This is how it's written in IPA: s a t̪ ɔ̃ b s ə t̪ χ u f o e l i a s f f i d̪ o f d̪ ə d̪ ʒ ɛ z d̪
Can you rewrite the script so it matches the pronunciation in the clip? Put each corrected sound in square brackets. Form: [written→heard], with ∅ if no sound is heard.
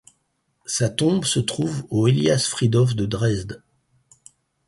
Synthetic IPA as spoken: s a t̪ ɔ̃ b s ə t̪ χ u [f→v] o e l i a s f [f→χ] i d̪ [o→ɔ] f d̪ ə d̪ [ʒ→ʁ] ɛ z d̪